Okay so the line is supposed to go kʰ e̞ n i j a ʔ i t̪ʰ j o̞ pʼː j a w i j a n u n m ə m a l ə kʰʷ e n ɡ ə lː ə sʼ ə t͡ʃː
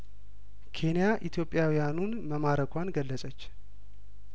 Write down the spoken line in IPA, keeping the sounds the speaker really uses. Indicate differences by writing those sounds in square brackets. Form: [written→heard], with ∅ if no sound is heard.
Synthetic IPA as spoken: kʰ e̞ n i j a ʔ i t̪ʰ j o̞ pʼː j a w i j a n u n m ə m a [l→ɾ] ə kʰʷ [e→a] n ɡ ə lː ə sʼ ə t͡ʃː